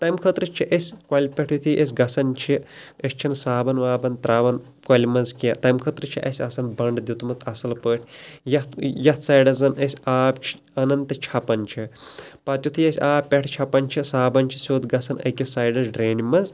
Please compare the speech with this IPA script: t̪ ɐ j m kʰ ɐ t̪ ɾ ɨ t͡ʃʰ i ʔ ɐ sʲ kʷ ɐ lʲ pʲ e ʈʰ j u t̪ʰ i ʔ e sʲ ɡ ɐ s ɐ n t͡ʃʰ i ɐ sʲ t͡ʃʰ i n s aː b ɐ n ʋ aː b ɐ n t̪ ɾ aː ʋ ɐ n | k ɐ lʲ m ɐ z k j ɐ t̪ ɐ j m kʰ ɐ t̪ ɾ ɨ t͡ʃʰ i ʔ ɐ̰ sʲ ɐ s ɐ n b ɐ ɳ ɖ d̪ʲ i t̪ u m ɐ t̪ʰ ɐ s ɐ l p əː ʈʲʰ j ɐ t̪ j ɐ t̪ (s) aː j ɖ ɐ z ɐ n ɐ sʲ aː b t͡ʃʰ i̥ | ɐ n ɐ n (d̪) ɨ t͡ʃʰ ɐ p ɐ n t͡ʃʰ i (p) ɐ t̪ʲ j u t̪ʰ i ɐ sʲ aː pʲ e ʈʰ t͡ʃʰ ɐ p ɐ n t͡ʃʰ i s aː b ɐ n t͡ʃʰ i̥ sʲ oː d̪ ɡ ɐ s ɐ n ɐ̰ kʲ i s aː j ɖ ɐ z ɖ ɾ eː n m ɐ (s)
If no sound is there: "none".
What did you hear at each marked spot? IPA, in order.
s, t̪, p, z

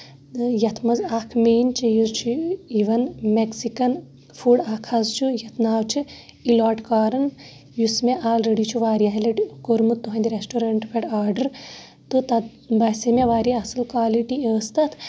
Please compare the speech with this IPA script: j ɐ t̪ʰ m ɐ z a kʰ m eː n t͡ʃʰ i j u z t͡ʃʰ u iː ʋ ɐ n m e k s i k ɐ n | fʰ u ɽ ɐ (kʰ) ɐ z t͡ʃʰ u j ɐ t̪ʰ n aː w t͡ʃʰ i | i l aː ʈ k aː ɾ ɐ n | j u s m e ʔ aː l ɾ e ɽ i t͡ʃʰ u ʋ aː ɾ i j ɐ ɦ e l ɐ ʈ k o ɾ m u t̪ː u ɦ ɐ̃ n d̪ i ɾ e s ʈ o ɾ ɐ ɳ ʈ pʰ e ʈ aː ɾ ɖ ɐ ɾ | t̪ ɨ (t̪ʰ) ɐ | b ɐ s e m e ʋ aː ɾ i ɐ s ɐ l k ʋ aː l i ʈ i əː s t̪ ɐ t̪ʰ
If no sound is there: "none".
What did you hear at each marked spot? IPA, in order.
kʰ, t̪

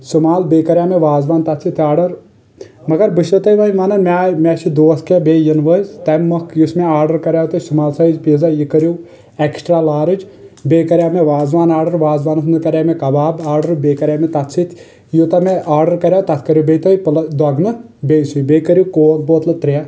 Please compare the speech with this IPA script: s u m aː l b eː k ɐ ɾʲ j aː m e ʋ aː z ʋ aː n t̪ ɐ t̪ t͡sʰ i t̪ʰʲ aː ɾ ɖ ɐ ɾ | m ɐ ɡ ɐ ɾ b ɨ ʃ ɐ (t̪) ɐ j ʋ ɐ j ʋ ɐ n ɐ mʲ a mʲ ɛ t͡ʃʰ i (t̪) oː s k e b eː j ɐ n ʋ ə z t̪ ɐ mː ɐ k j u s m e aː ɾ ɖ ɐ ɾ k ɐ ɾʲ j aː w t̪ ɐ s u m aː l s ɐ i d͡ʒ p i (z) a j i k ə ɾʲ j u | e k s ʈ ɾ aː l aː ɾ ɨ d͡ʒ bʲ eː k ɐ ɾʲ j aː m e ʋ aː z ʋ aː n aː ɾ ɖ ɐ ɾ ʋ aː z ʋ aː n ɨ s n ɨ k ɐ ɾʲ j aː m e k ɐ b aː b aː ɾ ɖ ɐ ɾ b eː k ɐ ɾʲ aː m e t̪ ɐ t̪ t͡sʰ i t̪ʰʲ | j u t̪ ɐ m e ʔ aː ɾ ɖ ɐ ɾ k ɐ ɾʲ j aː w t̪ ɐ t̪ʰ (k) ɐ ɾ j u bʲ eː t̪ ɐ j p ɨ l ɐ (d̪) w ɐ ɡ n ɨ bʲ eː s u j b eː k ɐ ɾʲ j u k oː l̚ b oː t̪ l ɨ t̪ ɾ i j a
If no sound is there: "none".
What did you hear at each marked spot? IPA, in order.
t̪, d̪, z, k, d̪

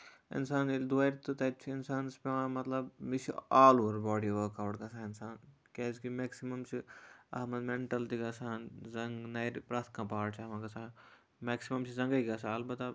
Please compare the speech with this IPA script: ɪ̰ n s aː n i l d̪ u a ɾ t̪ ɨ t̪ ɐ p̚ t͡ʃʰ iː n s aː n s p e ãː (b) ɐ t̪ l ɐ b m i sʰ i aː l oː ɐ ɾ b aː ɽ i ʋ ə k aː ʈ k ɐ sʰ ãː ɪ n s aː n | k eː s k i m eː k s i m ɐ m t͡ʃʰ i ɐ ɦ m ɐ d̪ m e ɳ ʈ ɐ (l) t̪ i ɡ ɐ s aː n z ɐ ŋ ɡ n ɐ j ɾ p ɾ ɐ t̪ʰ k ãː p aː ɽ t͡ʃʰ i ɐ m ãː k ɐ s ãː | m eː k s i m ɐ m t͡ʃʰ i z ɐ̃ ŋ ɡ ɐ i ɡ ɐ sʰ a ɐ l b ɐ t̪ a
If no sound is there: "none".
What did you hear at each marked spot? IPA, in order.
m, l

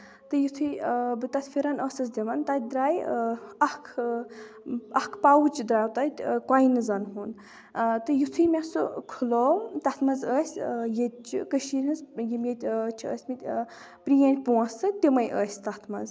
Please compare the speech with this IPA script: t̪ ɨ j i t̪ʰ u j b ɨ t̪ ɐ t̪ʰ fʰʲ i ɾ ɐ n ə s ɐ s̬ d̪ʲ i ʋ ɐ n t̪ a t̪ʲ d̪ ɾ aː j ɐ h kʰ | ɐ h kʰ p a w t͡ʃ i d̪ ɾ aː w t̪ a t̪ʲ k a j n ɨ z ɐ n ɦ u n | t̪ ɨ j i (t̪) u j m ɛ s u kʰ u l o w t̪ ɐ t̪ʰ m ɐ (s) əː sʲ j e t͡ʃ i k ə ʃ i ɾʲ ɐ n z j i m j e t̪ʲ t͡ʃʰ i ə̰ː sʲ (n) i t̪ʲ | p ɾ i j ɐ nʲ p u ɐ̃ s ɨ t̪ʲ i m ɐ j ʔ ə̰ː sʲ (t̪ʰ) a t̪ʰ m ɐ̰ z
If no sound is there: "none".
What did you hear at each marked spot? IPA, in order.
t̪ʰ, z, m, t̪

